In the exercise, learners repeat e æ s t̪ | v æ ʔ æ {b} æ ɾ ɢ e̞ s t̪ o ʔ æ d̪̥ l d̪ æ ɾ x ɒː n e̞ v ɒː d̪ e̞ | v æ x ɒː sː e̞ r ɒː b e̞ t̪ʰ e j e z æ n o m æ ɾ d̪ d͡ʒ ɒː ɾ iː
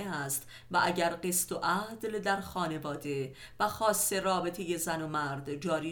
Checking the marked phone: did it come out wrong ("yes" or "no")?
yes